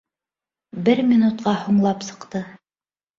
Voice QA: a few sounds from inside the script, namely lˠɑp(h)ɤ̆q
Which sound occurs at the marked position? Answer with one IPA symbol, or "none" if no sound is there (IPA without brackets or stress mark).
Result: s